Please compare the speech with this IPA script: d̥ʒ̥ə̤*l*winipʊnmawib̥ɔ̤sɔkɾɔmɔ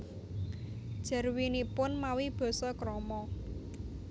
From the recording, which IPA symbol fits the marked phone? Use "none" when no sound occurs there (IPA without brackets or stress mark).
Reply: r